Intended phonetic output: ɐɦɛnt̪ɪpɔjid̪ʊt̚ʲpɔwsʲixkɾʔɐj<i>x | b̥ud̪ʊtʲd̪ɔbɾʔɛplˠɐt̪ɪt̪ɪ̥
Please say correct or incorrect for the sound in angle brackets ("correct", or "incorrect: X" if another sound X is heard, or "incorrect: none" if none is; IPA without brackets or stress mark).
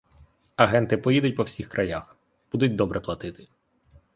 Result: incorrect: a